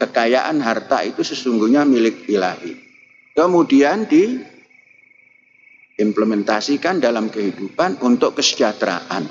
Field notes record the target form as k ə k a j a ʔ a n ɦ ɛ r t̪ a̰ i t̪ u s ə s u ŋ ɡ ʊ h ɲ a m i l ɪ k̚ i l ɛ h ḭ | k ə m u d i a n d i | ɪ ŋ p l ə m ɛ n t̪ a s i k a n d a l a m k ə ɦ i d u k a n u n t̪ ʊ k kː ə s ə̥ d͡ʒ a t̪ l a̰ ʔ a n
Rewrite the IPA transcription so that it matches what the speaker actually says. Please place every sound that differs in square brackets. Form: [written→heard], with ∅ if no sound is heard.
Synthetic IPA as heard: k ə k a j a ʔ a n ɦ [ɛ→a] r t̪ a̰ i t̪ u s ə s u ŋ ɡ [ʊ→u] h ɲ a m i l ɪ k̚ i l [ɛ→a] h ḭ | k ə m u d i a n d i | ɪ [ŋ→m] p l ə m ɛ n t̪ a s i k a n d a l a m k ə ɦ i d u [k→p] a n u n t̪ ʊ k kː ə s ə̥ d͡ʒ a t̪ [l→ɾ] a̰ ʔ a n